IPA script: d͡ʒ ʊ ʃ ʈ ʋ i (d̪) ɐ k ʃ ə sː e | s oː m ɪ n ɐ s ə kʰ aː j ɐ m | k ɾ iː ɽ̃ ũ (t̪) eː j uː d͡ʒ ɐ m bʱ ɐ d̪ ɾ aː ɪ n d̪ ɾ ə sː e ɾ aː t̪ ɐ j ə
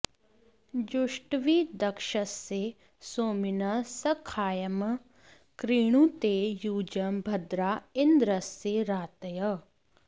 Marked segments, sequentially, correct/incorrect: correct, correct

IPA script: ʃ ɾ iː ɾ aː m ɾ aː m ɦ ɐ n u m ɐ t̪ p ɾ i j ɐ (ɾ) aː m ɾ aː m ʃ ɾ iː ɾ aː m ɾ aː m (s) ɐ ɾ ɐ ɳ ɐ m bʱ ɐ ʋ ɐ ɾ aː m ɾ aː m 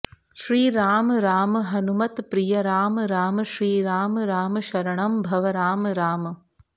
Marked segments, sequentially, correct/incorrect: correct, incorrect: ʃ

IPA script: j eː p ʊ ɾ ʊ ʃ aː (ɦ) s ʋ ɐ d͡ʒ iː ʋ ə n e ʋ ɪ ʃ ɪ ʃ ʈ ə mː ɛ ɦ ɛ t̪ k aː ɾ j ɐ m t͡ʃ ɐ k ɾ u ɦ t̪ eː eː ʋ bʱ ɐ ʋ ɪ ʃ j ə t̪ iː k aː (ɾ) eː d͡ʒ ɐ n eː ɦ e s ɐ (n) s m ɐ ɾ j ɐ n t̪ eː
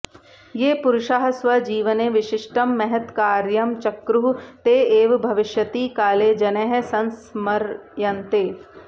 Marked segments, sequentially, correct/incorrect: correct, incorrect: l, correct

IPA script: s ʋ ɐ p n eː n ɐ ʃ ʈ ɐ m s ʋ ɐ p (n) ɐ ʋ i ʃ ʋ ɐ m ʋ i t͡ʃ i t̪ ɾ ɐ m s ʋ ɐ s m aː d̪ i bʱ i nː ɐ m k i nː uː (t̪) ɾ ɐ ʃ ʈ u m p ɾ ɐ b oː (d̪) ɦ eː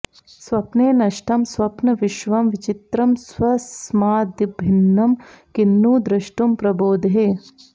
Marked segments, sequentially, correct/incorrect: correct, incorrect: d̪, correct

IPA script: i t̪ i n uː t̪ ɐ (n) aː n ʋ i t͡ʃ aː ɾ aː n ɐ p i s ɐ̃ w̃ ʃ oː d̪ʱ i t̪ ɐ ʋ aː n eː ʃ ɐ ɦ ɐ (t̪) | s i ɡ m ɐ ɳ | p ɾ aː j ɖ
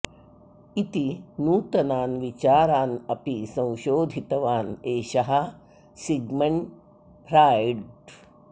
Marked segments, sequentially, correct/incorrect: correct, incorrect: none

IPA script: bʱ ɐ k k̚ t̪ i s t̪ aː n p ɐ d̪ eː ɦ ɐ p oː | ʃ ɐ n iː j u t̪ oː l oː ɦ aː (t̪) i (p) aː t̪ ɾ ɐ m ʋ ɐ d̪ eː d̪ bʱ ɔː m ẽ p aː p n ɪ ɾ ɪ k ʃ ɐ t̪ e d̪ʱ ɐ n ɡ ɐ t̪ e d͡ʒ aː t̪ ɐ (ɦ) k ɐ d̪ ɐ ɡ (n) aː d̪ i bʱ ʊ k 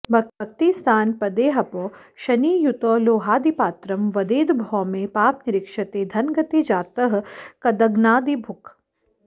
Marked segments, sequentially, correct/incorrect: incorrect: d̪, correct, correct, correct

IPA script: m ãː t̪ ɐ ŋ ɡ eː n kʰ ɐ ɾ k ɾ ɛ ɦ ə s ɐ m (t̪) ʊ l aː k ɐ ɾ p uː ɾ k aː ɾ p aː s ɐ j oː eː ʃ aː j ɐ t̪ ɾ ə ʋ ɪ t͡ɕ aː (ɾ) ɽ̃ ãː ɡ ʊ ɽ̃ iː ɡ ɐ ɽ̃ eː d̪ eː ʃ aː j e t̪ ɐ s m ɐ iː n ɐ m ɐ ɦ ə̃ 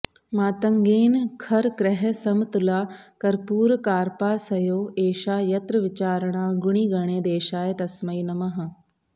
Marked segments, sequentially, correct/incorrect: correct, correct

